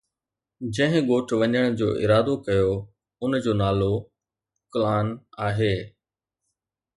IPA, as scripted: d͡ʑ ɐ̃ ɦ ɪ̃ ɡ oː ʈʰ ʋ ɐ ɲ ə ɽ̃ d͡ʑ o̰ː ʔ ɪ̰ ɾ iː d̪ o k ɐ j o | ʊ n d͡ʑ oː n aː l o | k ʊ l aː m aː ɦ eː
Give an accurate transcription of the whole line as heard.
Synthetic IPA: d͡ʑ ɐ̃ ɦ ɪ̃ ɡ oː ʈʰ ʋ ɐ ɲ ə ɽ̃ d͡ʑ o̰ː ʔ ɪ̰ ɾ aː d̪ o k ɐ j o | ʊ n d͡ʑ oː n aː l o | k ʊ l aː n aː ɦ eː